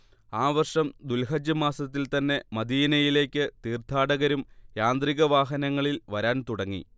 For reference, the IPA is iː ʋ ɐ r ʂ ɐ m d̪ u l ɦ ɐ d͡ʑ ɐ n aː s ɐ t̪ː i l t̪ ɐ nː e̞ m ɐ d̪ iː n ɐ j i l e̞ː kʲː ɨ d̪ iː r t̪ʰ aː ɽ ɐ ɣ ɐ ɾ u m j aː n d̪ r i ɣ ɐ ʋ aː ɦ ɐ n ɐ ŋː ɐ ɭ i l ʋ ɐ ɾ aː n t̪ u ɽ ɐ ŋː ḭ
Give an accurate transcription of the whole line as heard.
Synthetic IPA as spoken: aː ʋ ɐ r ʂ ɐ m d̪ u l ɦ ɐ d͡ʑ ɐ m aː s ɐ t̪ː i l t̪ ɐ nː e̞ m ɐ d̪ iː n ɐ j i l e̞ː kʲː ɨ t̪ iː r t̪ʰ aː ɽ ɐ ɣ ɐ ɾ u m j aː n d̪ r i ɣ ɐ ʋ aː ɦ ɐ n ɐ ŋː ɐ ɭ i l ʋ ɐ ɾ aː n t̪ u ɽ ɐ ŋː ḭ